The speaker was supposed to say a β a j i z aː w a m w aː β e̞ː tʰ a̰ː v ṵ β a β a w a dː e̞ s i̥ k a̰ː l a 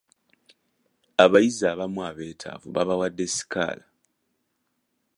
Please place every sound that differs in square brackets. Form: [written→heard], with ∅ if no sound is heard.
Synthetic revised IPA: a β a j i z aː [w→β] a m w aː β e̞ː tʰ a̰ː v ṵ β a β a w a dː e̞ s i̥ k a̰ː l a

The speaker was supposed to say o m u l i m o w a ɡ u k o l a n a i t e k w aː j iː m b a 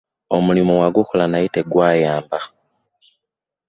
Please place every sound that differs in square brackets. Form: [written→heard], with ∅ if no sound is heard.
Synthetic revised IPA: o m u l i m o w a ɡ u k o l a n a i t e [k→ɡ] w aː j [iː→aː] m b a

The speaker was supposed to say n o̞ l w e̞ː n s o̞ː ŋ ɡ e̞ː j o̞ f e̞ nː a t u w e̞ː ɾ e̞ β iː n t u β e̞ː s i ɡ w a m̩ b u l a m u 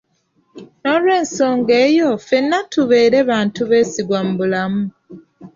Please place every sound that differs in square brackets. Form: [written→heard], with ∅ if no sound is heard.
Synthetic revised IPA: n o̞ l w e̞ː n s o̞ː ŋ ɡ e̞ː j o̞ f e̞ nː a t u [w→β] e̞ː ɾ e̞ β [iː→aː] n t u β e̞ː s i ɡ w a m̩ b u l a m u

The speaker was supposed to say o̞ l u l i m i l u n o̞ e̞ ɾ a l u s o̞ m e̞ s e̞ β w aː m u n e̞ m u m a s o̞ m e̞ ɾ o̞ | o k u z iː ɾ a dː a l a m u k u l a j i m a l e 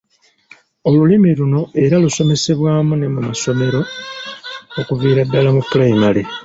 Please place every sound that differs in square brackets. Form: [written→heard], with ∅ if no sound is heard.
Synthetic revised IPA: o̞ l u l i m i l u n o̞ e̞ ɾ a l u s o̞ m e̞ s e̞ β w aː m u n e̞ m u m a s o̞ m e̞ ɾ o̞ | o k u [z→v] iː ɾ a dː a l a m u [k→p] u l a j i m a l e

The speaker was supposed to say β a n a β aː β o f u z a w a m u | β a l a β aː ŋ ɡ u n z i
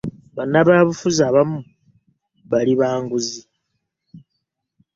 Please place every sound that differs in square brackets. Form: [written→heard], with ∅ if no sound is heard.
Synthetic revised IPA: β a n a β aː β [o→u] f u z a [w→β] a m u | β a l [a→i] β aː ŋ ɡ u [n→∅] z i

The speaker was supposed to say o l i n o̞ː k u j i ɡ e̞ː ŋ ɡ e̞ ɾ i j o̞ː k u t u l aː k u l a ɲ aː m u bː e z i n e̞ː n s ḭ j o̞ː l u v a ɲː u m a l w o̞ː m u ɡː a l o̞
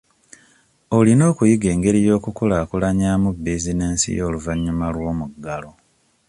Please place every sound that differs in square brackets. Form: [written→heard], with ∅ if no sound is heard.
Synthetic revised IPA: o l i n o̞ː k u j i ɡ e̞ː ŋ ɡ e̞ ɾ i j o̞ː k u [t→k] u l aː k u l a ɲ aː m u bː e z i n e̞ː n s ḭ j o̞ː l u v a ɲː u m a l w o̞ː m u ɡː a l o̞

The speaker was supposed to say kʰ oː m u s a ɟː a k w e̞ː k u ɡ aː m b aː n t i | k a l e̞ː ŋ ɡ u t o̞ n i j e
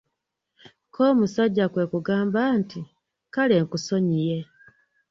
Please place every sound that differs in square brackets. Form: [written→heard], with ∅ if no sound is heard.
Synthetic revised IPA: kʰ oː m u s a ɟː a k w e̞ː k u ɡ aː m b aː n t i | k a l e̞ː ŋ [ɡ→k] u [t→s] o̞ [n→ɲ] i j e

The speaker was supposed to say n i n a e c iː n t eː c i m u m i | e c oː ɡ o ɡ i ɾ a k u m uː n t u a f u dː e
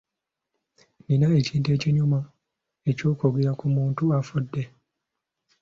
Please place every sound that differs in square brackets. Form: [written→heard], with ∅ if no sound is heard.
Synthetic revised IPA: n i n a e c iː n t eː c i [m→ɲ] u m [i→a] | e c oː [ɡ→k] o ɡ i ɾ a k u m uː n t u a f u dː e

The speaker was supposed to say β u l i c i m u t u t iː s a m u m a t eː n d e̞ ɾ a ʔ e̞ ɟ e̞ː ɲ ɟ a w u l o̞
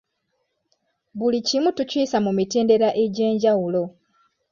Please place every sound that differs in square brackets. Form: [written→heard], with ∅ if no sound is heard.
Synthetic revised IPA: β u l i c i m u t u [t→c] iː s a m u m [a→i] t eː n d e̞ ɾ a ʔ e̞ ɟ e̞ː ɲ ɟ a w u l o̞

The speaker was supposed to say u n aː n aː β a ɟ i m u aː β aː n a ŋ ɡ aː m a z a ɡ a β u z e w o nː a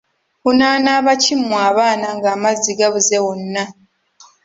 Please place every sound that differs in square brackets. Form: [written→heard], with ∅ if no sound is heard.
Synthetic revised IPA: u n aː n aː β a [ɟ→c] i m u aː β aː n a ŋ ɡ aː m a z [a→i] ɡ a β u z e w o nː a

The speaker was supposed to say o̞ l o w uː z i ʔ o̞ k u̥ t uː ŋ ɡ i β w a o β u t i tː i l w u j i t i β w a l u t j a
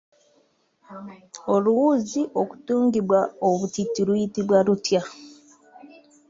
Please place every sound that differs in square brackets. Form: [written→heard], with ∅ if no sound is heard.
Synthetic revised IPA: o̞ l [o→u] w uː z i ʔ o̞ k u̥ t uː ŋ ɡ i β w a o β u t i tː i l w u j i t i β w a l u t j a

